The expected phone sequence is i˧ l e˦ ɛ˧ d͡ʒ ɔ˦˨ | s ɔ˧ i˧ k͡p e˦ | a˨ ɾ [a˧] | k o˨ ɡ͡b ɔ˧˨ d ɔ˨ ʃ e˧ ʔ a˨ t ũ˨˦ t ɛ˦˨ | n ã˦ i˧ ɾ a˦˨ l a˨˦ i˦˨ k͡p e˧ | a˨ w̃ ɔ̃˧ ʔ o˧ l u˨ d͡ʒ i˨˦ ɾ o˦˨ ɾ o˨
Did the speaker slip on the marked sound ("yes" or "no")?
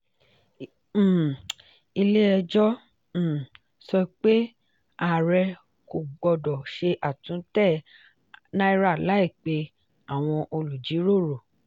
yes